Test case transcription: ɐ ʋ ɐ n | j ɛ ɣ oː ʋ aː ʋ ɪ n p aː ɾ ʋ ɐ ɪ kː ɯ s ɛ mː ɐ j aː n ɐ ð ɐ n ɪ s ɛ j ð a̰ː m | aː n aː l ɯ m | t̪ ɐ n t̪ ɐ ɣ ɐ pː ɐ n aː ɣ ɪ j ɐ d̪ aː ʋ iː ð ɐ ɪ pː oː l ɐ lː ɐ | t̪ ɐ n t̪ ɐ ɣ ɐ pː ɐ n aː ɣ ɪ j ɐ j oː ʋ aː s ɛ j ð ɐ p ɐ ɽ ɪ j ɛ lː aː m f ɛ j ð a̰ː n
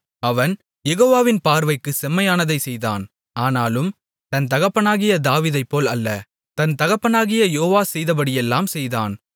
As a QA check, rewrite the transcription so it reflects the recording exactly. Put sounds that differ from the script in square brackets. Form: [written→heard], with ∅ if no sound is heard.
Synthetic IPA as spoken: ɐ ʋ ɐ n | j ɛ ɣ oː ʋ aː ʋ ɪ n p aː ɾ ʋ ɐ ɪ kː ɯ s ɛ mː ɐ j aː n ɐ ð ɐ [n→∅] ɪ s ɛ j ð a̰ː [m→n] | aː n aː l ɯ m | t̪ ɐ n t̪ ɐ ɣ ɐ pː ɐ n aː ɣ ɪ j ɐ d̪ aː ʋ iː ð ɐ ɪ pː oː l ɐ lː ɐ | t̪ ɐ n t̪ ɐ ɣ ɐ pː ɐ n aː ɣ ɪ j ɐ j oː ʋ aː s ɛ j ð ɐ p ɐ ɽ ɪ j ɛ lː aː m [f→s] ɛ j ð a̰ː n